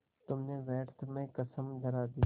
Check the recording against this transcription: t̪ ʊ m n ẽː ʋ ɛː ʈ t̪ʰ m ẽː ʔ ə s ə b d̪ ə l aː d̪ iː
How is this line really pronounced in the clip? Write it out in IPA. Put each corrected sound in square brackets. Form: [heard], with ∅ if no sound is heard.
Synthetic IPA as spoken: t̪ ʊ m n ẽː ʋ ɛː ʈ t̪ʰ m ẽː [k] ə s ə [m] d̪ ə [ɾ] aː d̪ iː